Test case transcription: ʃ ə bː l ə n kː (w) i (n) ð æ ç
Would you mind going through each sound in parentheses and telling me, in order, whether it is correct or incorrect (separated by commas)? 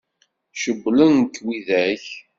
correct, incorrect